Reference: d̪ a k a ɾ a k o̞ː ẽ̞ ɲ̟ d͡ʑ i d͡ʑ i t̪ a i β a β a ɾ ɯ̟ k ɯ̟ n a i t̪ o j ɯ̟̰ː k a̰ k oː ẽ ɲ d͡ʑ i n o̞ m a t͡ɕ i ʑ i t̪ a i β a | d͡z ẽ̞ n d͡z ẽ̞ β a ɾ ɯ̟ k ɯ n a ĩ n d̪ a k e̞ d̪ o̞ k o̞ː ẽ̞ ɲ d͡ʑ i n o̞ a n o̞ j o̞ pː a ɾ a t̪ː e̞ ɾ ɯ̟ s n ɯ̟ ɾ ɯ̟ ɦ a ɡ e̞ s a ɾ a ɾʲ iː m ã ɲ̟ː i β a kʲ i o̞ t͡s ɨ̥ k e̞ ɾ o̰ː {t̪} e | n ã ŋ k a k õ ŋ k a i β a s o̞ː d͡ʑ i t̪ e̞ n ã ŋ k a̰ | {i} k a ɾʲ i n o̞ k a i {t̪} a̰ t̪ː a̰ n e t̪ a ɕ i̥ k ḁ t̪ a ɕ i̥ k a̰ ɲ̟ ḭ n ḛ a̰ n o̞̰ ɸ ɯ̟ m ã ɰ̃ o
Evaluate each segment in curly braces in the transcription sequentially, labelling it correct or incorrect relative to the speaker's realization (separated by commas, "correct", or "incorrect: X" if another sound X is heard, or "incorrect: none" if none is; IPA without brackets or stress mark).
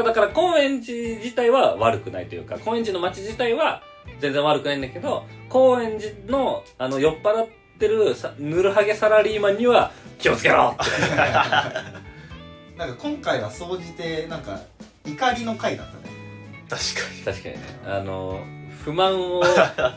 correct, correct, incorrect: d̪